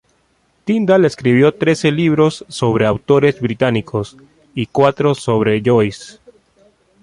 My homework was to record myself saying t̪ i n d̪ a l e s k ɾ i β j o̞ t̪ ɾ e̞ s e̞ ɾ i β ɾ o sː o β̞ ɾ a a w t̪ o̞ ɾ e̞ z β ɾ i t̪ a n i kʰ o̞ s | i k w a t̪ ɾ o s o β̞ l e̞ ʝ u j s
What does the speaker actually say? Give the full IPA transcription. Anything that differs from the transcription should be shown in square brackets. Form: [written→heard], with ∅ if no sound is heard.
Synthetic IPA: t̪ i n d̪ a l e s k ɾ i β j o̞ t̪ ɾ e̞ s e̞ [ɾ→l] i β ɾ o sː o β̞ ɾ [a→e] a w t̪ o̞ ɾ e̞ z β ɾ i t̪ a n i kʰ o̞ s | i k w a t̪ ɾ o s o β̞ [l→ɾ] e̞ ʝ [u→o] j s